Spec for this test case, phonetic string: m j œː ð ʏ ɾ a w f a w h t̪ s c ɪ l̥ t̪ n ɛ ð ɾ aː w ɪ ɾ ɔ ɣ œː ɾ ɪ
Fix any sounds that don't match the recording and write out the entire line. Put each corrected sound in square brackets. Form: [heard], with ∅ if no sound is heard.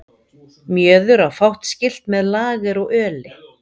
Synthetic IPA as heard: m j œː ð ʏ ɾ a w f a w h t̪ s c ɪ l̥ t̪ [m] ɛ ð [l] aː [ɣ] ɪ ɾ ɔ ɣ œː [l] ɪ